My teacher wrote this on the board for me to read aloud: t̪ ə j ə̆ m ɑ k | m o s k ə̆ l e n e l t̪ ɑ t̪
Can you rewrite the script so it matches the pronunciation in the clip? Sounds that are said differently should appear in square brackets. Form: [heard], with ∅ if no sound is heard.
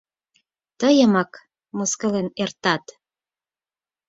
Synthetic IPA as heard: t̪ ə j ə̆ m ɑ k | m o s k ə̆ l e n e [r] t̪ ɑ t̪